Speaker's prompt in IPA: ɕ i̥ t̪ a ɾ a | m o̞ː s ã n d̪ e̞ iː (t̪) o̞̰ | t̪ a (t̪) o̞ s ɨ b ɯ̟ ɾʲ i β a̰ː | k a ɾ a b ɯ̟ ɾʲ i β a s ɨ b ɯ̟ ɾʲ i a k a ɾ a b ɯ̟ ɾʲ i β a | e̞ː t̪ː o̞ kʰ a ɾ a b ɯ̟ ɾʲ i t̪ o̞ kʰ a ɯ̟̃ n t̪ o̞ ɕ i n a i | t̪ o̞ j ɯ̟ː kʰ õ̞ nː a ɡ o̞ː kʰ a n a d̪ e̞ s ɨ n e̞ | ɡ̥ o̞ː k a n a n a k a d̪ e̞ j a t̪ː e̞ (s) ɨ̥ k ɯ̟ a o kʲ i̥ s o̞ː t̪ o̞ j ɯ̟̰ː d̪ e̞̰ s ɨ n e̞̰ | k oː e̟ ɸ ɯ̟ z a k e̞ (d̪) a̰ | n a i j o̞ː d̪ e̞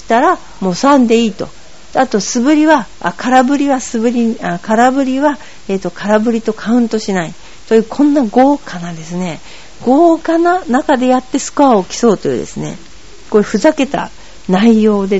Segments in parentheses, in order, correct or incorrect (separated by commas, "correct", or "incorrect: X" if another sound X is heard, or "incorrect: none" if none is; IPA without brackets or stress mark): correct, correct, correct, incorrect: t̪